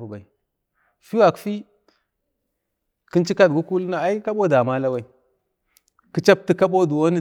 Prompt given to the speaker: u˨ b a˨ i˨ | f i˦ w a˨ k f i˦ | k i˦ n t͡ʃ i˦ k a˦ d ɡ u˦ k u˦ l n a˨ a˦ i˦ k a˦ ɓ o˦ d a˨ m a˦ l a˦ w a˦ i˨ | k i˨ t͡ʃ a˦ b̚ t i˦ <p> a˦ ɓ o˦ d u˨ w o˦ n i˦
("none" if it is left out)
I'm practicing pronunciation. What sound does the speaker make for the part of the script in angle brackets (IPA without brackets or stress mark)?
k